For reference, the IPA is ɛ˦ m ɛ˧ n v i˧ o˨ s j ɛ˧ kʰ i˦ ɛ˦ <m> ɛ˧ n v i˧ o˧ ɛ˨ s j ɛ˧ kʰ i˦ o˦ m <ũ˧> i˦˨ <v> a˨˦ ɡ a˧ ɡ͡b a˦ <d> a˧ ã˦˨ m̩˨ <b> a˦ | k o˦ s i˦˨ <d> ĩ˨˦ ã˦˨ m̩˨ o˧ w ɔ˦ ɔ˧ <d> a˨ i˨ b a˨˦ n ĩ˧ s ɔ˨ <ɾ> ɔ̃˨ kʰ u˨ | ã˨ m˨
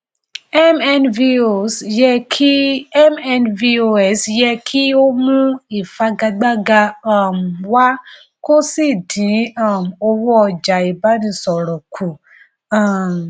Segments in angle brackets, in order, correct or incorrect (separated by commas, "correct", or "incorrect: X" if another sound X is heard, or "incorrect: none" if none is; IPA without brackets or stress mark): correct, correct, incorrect: f, incorrect: ɡ, incorrect: w, correct, incorrect: d͡ʒ, correct